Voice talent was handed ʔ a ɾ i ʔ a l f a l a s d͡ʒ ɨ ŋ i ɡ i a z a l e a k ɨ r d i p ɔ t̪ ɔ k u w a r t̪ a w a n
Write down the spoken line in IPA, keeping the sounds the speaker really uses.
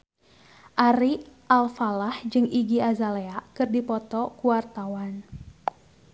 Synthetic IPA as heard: ʔ a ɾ i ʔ a l f a l a h d͡ʒ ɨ ŋ i ɡ i a z a l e a k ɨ r d i p ɔ t̪ ɔ k u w a r t̪ a w a n